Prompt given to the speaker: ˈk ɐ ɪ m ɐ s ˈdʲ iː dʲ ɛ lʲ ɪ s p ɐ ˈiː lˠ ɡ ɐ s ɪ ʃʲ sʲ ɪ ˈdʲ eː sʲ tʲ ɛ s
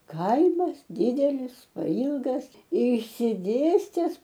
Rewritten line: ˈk ɐ ɪ m ɐ s ˈdʲ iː dʲ ɛ lʲ ɪ s p ɐ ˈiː lˠ ɡ ɐ s ɪ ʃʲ sʲ ɪ ˈdʲ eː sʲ tʲ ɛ s